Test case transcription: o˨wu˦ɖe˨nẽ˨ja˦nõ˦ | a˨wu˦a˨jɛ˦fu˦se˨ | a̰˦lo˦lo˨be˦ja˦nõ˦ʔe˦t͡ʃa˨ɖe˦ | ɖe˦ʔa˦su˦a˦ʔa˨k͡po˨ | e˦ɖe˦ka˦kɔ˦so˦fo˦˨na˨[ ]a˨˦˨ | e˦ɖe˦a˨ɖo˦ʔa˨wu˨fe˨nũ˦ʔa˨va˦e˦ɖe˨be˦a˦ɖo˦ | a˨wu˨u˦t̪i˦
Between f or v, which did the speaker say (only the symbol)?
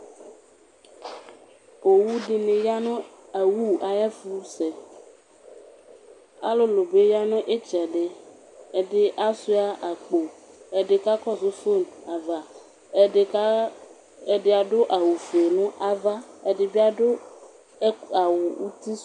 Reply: v